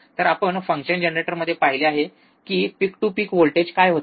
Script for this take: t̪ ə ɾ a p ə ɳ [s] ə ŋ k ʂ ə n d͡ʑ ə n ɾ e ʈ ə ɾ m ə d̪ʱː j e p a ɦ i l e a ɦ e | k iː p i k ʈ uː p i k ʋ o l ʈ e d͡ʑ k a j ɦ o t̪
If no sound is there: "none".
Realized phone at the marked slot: f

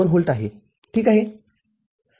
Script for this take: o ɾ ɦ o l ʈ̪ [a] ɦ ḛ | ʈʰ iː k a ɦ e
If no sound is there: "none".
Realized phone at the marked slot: a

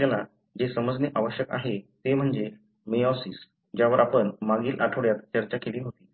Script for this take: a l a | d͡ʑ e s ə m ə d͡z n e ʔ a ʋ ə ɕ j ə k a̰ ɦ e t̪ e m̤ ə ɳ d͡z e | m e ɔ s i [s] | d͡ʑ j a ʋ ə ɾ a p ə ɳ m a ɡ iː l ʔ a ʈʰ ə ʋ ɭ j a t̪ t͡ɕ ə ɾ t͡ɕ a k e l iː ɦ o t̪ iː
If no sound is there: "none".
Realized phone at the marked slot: s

